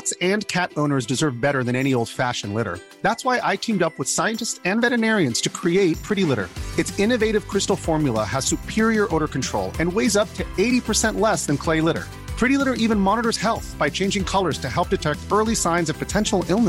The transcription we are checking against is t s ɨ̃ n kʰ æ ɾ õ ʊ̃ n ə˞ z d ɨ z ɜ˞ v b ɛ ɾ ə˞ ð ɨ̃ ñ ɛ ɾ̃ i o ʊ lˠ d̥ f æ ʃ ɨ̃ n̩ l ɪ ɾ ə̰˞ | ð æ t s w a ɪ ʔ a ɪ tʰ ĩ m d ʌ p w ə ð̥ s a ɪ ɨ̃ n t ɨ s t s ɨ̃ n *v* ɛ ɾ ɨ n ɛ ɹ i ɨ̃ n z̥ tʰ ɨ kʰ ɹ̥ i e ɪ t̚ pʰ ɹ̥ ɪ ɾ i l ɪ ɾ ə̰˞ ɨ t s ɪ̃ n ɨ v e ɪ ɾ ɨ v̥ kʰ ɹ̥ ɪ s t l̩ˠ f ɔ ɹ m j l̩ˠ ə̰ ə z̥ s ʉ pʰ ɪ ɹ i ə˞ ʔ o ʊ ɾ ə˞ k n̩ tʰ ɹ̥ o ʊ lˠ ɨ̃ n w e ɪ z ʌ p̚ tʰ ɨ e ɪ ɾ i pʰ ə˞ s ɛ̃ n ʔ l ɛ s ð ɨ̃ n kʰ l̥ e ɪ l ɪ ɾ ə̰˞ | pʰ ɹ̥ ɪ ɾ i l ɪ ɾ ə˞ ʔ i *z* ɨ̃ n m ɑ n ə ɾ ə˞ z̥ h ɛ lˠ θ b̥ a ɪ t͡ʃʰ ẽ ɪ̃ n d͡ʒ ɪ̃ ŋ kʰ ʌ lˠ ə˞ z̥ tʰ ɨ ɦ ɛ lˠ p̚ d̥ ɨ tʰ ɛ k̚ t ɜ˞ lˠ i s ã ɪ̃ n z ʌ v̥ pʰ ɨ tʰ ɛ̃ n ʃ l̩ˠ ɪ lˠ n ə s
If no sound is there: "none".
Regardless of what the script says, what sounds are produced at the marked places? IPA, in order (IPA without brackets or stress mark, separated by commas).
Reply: v, v